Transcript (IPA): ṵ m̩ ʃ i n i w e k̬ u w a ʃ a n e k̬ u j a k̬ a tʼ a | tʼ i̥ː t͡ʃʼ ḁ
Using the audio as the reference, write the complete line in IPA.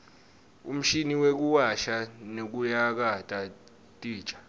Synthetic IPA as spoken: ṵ m̩ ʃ i n i w e k̬ u w a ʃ a n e k̬ u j a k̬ a tʼ a | tʼ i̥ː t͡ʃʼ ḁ